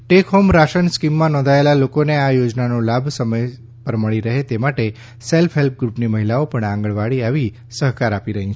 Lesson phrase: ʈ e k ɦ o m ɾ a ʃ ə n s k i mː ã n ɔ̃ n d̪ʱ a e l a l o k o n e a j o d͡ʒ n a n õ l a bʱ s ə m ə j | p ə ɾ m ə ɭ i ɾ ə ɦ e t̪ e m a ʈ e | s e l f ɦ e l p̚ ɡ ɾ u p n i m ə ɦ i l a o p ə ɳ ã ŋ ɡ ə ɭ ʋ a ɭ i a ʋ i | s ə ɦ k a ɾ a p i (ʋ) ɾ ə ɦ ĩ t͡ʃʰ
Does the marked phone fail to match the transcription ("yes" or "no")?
yes